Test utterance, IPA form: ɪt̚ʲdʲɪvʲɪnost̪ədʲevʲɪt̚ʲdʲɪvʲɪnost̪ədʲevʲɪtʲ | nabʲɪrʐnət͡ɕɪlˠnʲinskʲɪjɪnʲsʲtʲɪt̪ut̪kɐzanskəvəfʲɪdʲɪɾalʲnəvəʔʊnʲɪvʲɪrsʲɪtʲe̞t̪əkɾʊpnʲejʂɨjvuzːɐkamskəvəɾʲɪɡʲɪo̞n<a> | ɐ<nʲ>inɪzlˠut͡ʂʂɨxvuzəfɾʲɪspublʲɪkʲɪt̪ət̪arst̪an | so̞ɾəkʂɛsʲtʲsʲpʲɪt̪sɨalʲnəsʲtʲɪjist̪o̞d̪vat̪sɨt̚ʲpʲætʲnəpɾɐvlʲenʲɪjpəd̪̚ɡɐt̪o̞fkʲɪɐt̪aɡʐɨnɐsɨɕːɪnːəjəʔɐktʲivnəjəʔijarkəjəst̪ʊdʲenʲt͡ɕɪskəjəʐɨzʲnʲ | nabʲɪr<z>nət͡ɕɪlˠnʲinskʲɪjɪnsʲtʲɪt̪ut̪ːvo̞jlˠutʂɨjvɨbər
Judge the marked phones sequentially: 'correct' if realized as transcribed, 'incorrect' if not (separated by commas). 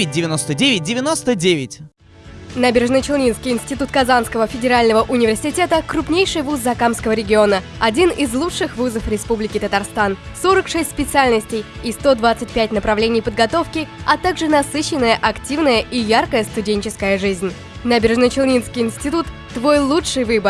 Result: incorrect, incorrect, incorrect